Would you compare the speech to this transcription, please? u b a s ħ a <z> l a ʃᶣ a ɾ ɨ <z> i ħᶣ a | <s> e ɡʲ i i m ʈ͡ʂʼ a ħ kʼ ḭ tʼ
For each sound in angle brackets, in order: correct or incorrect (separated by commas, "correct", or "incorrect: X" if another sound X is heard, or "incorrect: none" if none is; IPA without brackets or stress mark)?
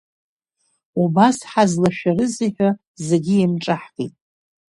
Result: correct, correct, incorrect: z